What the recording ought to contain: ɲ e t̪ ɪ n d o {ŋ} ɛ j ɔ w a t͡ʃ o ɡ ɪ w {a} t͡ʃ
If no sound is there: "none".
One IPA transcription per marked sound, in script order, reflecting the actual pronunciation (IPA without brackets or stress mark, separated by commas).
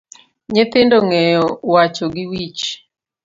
ŋ, i